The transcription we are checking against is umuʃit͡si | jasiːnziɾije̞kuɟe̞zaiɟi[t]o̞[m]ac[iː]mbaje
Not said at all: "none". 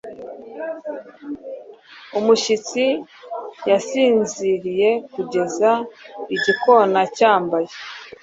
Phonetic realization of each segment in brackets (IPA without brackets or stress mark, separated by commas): k, n, aː